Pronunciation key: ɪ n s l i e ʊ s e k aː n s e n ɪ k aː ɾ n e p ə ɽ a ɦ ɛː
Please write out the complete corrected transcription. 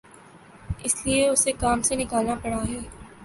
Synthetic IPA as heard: ɪ s l i e ʊ s e k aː m s e n ɪ k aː l n a p ɐ ɽ a ɦ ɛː